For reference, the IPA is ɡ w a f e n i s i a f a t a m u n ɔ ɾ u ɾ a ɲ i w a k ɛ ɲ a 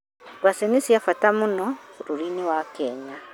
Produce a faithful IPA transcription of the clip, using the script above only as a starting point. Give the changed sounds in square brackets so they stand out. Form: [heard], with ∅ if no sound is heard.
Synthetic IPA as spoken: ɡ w a [s] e n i s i a f a t a m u n ɔ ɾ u ɾ [i] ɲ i w a k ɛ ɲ a